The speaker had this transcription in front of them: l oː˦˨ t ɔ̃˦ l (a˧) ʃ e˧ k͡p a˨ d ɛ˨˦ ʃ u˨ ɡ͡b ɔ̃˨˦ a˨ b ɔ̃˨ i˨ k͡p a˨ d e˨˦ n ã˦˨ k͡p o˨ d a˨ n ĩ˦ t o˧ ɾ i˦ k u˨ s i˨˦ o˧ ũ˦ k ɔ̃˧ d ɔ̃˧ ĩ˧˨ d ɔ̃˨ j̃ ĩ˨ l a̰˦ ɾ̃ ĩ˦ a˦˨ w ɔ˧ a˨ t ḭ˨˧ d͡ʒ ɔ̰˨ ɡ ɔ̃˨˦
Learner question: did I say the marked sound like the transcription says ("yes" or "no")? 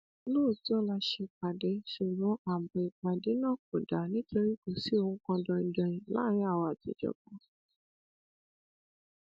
yes